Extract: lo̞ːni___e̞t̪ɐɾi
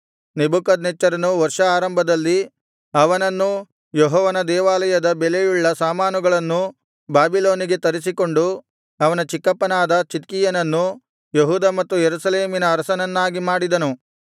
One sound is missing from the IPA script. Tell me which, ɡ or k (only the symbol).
ɡ